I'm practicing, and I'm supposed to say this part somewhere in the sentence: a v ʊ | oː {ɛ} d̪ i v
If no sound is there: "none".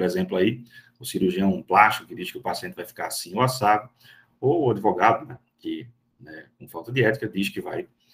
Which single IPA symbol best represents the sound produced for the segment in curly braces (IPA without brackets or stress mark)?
a